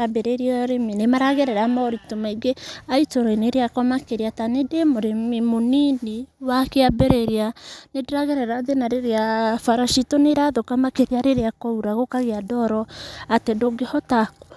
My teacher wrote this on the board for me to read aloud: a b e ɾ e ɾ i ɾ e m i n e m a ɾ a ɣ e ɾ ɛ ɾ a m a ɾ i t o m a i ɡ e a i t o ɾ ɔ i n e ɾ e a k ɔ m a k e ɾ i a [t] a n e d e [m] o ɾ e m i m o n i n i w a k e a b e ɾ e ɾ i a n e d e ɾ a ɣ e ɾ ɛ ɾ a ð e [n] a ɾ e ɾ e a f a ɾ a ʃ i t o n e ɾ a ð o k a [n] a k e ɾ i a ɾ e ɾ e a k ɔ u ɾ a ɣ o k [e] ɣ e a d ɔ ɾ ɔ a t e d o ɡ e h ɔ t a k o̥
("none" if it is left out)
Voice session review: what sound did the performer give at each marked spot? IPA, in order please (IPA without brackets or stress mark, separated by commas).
t, m, n, m, a